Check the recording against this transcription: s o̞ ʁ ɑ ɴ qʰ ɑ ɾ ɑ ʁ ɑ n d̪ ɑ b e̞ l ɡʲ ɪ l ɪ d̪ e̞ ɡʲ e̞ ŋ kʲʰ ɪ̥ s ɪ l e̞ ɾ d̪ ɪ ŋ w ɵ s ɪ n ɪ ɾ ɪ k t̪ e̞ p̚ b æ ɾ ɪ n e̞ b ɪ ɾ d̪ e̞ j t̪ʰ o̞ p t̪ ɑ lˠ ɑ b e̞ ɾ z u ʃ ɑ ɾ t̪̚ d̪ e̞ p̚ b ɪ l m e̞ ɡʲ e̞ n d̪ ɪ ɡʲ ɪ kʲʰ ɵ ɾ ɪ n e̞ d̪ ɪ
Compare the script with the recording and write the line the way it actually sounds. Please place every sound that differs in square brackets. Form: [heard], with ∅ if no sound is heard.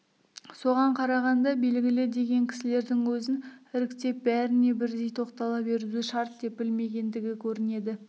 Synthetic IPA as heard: s o̞ ʁ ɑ ɴ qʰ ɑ ɾ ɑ ʁ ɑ n d̪ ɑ b e̞ l ɡʲ ɪ l ɪ d̪ e̞ ɡʲ e̞ ŋ kʲʰ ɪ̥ s ɪ l e̞ ɾ d̪ ɪ ŋ w ɵ [z] ɪ n ɪ ɾ ɪ k t̪ e̞ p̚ b æ ɾ ɪ n e̞ b ɪ ɾ d̪ e̞ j t̪ʰ o̞ [q] t̪ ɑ lˠ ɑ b e̞ ɾ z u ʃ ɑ ɾ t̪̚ d̪ e̞ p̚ b ɪ l m e̞ ɡʲ e̞ n d̪ ɪ ɡʲ ɪ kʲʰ ɵ ɾ ɪ n e̞ d̪ ɪ

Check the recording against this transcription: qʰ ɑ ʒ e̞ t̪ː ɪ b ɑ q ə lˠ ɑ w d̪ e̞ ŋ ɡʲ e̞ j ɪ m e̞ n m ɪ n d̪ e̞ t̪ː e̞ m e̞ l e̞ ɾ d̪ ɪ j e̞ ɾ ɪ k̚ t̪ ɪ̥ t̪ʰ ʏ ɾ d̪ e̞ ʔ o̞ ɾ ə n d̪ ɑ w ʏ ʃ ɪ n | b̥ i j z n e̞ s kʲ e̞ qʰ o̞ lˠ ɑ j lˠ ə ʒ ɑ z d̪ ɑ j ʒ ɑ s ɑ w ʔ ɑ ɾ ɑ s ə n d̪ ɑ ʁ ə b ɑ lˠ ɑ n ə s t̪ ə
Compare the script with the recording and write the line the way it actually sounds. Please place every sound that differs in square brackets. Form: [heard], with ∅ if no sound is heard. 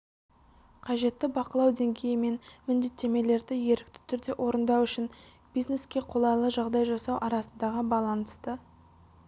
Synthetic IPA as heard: qʰ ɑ ʒ e̞ t̪ː ɪ b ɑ q ə lˠ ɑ w d̪ e̞ ŋ ɡʲ e̞ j ɪ m e̞ n m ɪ n d̪ e̞ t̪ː e̞ m e̞ l e̞ ɾ d̪ ɪ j e̞ ɾ ɪ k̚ t̪ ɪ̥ t̪ʰ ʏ ɾ d̪ e̞ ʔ o̞ ɾ ə n d̪ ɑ w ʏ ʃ ɪ n | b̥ i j z n e̞ s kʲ e̞ qʰ o̞ lˠ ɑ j lˠ ə ʒ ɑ [ʁ] d̪ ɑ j ʒ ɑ s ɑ w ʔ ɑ ɾ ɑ s ə n d̪ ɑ ʁ ə b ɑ lˠ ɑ n ə s t̪ ə

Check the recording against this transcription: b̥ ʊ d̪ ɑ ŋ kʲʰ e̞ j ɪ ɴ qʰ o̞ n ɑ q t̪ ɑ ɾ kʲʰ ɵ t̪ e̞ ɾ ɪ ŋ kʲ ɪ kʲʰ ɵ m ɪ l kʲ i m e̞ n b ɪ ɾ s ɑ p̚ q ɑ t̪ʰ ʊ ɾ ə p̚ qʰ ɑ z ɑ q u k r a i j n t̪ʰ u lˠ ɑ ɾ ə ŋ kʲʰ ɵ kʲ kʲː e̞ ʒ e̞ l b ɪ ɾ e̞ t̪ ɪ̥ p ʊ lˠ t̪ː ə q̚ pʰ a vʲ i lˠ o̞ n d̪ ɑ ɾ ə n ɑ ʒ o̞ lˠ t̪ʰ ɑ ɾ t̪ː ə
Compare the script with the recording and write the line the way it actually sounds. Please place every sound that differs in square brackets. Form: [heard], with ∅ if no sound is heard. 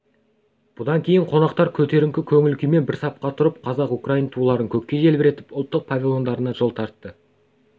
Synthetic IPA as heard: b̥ ʊ d̪ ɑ ŋ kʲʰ e̞ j ɪ ɴ qʰ o̞ n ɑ q t̪ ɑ ɾ kʲʰ ɵ t̪ e̞ ɾ ɪ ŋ kʲ ɪ kʲʰ ɵ [ŋ] ɪ l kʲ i m e̞ n b ɪ ɾ s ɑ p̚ q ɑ t̪ʰ ʊ ɾ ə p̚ qʰ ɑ z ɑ q u k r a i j n t̪ʰ u lˠ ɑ ɾ ə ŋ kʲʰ ɵ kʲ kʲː e̞ ʒ e̞ l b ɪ ɾ e̞ t̪ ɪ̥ p ʊ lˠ t̪ː ə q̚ pʰ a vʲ i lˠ o̞ n d̪ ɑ ɾ ə n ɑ ʒ o̞ lˠ t̪ʰ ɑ ɾ t̪ː ə

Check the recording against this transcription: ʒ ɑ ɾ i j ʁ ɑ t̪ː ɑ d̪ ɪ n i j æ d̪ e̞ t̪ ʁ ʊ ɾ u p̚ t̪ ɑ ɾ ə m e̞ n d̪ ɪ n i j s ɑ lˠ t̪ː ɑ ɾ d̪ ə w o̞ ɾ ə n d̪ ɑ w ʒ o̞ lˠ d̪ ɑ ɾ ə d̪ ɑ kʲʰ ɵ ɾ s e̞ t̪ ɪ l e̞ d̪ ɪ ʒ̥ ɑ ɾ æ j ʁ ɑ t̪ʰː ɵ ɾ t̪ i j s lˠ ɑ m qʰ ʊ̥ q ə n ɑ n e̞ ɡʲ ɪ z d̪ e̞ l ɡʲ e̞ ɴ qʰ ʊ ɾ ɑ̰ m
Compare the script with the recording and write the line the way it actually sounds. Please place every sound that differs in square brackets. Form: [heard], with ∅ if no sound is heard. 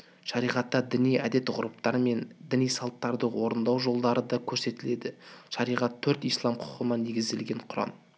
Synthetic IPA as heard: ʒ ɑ ɾ i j ʁ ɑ t̪ː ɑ d̪ ɪ n i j æ d̪ e̞ t̪ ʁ ʊ ɾ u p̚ t̪ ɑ ɾ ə m e̞ n d̪ ɪ n i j s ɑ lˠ t̪ː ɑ ɾ d̪ ə w o̞ ɾ ə n d̪ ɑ w ʒ o̞ lˠ d̪ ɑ ɾ ə d̪ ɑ kʲʰ ɵ ɾ s e̞ t̪ ɪ l e̞ d̪ ɪ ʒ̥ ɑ ɾ [i] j ʁ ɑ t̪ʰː ɵ ɾ t̪ i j s lˠ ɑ m qʰ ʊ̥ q ə n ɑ n e̞ ɡʲ ɪ z d̪ e̞ l ɡʲ e̞ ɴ qʰ ʊ ɾ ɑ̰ m

